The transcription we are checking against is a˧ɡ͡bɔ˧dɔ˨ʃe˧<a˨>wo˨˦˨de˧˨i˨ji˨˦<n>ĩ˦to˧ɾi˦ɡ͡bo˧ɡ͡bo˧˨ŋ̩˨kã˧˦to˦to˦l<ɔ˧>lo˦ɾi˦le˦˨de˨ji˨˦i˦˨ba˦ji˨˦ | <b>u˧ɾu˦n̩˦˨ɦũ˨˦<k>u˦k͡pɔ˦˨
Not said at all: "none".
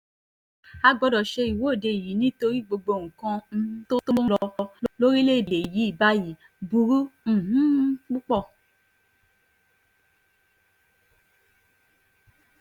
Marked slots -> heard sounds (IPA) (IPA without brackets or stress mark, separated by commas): i˨, n, ɔ˧, b, k͡p